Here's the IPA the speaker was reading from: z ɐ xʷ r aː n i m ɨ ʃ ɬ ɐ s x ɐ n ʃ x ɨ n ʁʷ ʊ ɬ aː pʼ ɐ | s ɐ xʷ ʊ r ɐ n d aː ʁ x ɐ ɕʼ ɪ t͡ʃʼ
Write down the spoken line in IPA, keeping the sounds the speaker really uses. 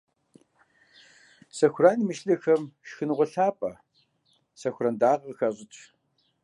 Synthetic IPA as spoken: s ɐ xʷ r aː n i m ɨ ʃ ɬ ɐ x ɐ m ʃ x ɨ n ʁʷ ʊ ɬ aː pʼ ɐ | s ɐ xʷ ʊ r ɐ n d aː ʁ x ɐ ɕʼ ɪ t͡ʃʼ